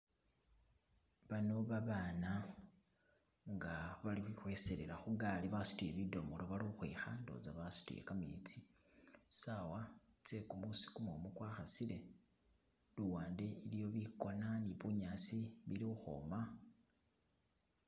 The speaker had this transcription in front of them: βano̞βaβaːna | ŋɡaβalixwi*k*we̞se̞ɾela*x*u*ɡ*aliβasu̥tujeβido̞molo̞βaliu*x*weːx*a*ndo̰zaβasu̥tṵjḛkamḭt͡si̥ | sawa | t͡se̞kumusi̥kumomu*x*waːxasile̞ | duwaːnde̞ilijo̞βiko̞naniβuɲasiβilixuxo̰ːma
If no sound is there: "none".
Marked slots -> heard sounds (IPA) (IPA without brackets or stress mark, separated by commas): x, x, ɡ, x, a, k